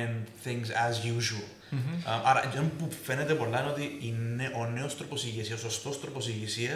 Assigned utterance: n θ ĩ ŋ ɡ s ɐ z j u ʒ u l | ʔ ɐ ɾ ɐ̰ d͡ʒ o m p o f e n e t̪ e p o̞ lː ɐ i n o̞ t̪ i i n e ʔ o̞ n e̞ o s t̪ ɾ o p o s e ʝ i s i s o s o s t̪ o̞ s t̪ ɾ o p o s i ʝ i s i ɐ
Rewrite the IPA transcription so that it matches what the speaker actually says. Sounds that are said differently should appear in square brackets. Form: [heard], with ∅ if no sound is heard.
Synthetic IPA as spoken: n θ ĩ ŋ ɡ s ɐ z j u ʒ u l | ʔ ɐ ɾ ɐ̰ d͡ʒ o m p [u] f e n e t̪ e p o̞ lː ɐ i n o̞ t̪ i i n e ʔ o̞ n e̞ o s t̪ ɾ o p o s [i] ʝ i s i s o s o s t̪ o̞ s t̪ ɾ o p o s i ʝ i s i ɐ